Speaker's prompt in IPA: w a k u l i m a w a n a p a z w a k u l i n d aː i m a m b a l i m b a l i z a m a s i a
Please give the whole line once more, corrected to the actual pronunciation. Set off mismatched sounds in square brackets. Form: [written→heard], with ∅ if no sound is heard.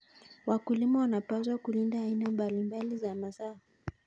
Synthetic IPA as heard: w a k u l i m a w a n a p a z w a k u l i n d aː i [m→n] a m b a l i m b a l i z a m a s [i→a] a